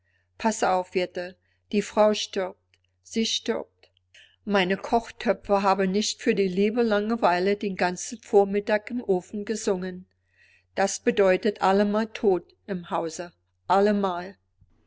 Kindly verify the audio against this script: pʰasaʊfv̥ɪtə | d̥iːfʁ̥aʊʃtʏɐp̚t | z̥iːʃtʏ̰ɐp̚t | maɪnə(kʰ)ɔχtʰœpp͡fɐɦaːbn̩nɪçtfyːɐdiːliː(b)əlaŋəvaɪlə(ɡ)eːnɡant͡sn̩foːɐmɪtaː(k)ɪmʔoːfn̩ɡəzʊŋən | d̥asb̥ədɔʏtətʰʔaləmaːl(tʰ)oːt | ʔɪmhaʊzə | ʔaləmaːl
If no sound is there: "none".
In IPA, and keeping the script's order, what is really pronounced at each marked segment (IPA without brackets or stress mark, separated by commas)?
kʰ, b, d, k, tʰ